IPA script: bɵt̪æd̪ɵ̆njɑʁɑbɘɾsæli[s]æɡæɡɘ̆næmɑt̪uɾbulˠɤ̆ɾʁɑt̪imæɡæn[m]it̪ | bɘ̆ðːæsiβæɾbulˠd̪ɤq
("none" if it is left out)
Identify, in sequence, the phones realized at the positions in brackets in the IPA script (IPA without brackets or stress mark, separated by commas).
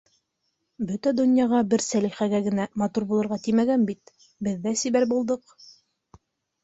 χ, b